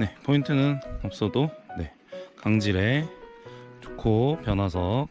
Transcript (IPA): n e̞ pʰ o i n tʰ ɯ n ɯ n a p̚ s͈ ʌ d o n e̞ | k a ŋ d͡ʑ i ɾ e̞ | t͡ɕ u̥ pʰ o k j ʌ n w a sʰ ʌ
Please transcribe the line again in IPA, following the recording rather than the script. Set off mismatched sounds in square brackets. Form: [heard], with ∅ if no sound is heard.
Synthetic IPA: n e̞ pʰ o i n tʰ ɯ n ɯ n [ʌ] p̚ s͈ ʌ d o n e̞ | k a ŋ d͡ʑ i ɾ e̞ | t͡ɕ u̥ [kʰ] o [p] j ʌ n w a sʰ ʌ

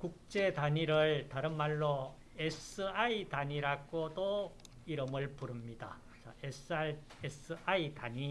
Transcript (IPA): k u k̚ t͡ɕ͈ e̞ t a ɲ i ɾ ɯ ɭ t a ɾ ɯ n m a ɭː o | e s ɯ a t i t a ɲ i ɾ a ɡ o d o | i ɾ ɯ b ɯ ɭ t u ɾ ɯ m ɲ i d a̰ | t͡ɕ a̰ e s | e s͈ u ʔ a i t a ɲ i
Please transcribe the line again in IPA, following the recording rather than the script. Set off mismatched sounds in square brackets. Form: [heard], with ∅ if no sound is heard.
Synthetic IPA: k u k̚ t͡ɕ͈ e̞ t a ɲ i ɾ ɯ ɭ t a ɾ ɯ n m a ɭː o | e s ɯ a [∅] i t a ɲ i ɾ a ɡ o d o | i ɾ ɯ [m] ɯ ɭ [p] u ɾ ɯ m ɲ i d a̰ | t͡ɕ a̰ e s | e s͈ [ɯ] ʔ a i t a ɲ i

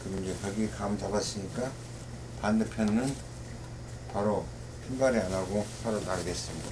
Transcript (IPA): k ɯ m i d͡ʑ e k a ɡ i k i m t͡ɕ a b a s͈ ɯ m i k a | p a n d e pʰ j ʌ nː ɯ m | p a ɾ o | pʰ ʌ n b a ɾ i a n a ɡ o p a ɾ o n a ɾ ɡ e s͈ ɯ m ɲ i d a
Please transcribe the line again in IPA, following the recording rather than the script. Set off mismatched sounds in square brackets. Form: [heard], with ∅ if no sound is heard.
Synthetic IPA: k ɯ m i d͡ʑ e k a ɡ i k [a] m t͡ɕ a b a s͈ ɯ [ɲ] i k a | p a n d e pʰ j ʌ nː ɯ [n] | p a ɾ o | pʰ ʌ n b a ɾ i a n a ɡ o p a ɾ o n a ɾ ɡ e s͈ ɯ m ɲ i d a

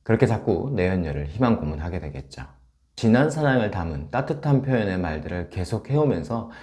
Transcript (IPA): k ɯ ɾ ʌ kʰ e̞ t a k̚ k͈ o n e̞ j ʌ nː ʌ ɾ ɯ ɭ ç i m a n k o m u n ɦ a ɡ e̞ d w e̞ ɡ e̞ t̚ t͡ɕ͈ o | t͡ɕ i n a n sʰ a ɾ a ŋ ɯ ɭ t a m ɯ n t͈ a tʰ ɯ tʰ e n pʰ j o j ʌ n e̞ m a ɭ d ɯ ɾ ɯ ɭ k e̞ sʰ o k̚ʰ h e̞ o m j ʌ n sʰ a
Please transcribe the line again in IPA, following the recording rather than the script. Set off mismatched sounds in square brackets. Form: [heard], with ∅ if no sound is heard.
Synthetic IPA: k ɯ ɾ ʌ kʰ e̞ [t͡ɕ] a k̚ k͈ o n e̞ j ʌ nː ʌ ɾ ɯ ɭ ç i m a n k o m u n ɦ a ɡ e̞ d w e̞ ɡ e̞ t̚ t͡ɕ͈ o | t͡ɕ i n a n sʰ a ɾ a ŋ ɯ ɭ t a m ɯ n t͈ a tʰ ɯ tʰ [a] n pʰ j o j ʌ n e̞ m a ɭ d ɯ ɾ ɯ ɭ k e̞ sʰ o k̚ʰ h e̞ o m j ʌ n sʰ [ʌ]

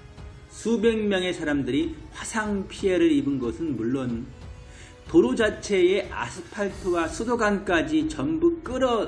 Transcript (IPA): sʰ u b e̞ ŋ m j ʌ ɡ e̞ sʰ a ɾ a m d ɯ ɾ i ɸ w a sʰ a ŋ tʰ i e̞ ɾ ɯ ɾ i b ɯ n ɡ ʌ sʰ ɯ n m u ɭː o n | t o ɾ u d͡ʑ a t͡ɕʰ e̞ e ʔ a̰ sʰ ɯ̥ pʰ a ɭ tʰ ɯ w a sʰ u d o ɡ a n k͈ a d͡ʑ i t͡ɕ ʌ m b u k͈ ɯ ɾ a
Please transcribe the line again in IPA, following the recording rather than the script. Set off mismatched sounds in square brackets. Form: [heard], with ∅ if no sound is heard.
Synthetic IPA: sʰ u b e̞ ŋ m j ʌ [ŋ] e̞ sʰ a ɾ a m d ɯ ɾ i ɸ w a sʰ a ŋ [pʰ] i e̞ ɾ ɯ ɾ i b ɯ n ɡ ʌ sʰ ɯ n m u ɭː o n | t o ɾ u d͡ʑ a t͡ɕʰ e̞ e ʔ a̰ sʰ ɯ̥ pʰ a ɭ tʰ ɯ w a sʰ u d o ɡ a n k͈ a d͡ʑ i t͡ɕ ʌ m b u k͈ ɯ ɾ [ʌ]

